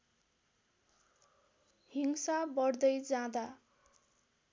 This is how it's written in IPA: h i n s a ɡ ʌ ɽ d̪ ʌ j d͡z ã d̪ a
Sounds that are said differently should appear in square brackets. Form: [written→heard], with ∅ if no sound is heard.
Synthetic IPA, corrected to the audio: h i [n→ŋ] s a [ɡ→b] ʌ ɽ d̪ ʌ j d͡z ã d̪ a